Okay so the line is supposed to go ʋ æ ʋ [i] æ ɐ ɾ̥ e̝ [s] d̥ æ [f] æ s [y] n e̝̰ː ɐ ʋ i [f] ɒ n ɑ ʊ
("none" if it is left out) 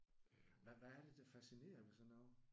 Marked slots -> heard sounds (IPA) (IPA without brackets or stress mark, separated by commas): æ, none, f, i, s